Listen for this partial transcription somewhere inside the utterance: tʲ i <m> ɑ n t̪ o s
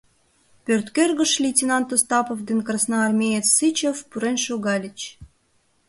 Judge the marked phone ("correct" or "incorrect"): incorrect